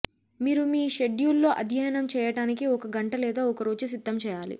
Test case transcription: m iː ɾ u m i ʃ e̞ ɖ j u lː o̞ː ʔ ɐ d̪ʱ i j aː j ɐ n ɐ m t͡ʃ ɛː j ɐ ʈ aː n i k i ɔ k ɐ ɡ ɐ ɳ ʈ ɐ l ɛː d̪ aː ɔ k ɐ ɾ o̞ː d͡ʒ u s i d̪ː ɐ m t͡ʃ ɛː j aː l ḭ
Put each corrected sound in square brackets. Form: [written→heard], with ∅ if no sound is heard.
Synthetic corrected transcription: m iː ɾ u m [i→iː] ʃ e̞ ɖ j u lː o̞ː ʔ ɐ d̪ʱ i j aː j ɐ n ɐ m t͡ʃ ɛː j ɐ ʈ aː n i k i ɔ k ɐ ɡ ɐ ɳ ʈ ɐ l ɛː d̪ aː ɔ k ɐ ɾ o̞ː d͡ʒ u s i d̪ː ɐ m t͡ʃ ɛː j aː l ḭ